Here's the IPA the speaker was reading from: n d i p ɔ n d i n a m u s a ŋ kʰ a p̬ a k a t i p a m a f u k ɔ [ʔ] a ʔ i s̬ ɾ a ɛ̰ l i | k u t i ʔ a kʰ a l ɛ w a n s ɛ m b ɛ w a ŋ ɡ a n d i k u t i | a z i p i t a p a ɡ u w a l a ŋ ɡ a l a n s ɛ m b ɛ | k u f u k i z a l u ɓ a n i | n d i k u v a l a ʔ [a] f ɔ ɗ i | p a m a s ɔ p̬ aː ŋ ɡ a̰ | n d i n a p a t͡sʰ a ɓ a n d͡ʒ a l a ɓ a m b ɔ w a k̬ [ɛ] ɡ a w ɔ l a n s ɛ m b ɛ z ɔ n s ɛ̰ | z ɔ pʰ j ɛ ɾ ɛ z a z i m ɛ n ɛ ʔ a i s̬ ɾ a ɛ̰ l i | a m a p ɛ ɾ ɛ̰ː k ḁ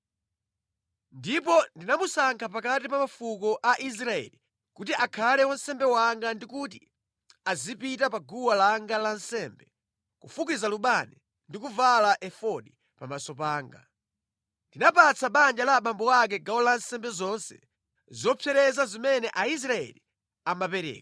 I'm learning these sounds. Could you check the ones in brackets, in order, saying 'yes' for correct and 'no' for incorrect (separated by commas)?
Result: yes, no, yes